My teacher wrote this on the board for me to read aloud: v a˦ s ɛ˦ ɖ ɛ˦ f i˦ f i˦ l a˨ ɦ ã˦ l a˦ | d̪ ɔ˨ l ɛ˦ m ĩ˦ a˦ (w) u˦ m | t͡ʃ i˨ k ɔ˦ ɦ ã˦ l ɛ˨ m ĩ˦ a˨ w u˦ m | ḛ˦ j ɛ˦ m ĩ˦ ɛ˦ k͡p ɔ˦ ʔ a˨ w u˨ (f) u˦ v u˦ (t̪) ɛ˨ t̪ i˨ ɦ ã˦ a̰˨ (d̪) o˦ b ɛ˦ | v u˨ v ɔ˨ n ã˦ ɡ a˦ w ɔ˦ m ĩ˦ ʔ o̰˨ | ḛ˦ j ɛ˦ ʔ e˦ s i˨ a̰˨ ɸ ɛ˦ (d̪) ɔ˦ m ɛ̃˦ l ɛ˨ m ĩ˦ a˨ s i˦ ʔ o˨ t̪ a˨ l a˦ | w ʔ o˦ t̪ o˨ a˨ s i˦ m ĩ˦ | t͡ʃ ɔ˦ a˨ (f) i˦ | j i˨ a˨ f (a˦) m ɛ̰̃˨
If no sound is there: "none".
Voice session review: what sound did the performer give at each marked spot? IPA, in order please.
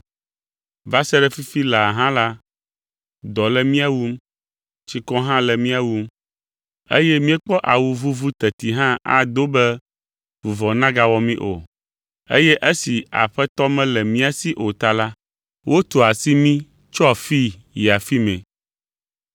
w, v, t̪, d̪, t̪, f, i˦

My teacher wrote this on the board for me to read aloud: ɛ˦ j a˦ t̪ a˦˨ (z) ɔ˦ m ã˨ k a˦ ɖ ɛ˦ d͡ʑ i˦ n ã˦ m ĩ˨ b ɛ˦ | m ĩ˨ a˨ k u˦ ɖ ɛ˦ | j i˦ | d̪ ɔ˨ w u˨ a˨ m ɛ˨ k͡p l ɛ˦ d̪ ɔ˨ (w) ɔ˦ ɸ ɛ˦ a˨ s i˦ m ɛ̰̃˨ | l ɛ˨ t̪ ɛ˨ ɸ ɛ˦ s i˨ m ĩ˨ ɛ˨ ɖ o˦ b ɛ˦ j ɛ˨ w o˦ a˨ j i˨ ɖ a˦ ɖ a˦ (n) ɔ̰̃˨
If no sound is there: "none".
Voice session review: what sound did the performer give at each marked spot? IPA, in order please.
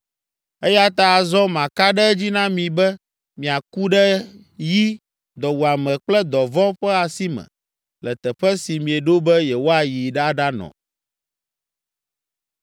z, v, n

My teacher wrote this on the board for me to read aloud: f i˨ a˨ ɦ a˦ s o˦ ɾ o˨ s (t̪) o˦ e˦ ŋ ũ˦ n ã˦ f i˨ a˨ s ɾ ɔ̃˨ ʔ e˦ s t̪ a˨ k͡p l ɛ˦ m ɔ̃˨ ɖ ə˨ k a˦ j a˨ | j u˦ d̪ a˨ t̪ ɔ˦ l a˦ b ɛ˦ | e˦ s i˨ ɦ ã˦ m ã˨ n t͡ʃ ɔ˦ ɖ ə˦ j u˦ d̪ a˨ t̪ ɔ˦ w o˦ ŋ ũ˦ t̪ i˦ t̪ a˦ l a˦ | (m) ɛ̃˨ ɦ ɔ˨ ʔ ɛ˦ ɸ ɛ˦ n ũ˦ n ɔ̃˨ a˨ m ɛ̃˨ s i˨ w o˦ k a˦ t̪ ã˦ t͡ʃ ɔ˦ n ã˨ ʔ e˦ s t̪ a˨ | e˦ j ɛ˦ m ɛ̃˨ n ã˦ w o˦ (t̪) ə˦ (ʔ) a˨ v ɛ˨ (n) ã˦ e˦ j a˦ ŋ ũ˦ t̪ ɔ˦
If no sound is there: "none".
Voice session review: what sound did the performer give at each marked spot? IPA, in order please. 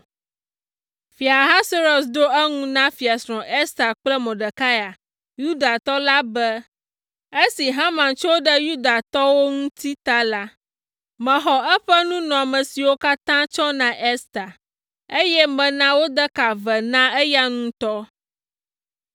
d̪, m, d̪, k, n

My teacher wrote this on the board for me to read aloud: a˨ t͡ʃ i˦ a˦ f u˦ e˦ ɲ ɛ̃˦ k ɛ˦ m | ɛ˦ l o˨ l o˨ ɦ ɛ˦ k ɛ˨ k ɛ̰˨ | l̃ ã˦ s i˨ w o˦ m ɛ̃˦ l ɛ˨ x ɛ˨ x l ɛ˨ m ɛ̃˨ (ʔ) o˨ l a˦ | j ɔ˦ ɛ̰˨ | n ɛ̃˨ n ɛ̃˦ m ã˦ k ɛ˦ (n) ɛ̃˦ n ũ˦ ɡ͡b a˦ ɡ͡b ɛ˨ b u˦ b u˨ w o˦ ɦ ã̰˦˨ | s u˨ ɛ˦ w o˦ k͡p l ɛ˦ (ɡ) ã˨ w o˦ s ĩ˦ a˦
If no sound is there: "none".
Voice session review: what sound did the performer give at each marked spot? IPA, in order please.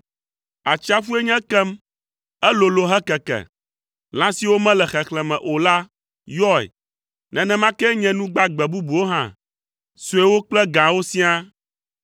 ʔ, ɲ, ɡ

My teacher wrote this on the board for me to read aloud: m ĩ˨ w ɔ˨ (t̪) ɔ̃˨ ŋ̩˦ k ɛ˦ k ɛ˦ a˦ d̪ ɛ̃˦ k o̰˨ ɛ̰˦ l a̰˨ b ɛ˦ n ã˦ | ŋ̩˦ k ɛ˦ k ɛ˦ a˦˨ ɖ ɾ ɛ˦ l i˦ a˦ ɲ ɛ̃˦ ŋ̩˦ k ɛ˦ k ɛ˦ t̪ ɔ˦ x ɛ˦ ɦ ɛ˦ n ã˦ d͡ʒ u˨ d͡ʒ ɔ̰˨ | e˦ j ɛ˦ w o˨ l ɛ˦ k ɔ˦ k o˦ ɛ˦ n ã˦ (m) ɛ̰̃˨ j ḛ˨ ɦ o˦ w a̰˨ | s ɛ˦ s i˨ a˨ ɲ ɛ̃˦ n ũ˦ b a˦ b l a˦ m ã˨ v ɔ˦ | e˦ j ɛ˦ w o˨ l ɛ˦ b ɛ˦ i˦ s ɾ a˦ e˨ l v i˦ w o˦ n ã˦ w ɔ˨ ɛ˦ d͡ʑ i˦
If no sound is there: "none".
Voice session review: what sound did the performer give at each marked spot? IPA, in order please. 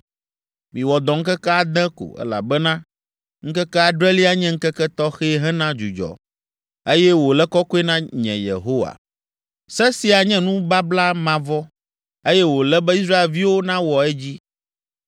d̪, ɲ

